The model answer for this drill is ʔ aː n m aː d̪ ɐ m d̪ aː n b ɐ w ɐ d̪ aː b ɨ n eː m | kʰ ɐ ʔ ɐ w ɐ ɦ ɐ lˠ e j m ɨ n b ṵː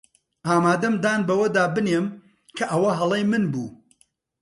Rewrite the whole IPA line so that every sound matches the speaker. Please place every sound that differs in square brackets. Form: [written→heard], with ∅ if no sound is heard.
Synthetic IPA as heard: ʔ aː [n→∅] m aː d̪ ɐ m d̪ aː n b ɐ w ɐ d̪ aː b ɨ n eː m | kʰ ɐ ʔ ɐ w ɐ ɦ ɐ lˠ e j m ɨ n b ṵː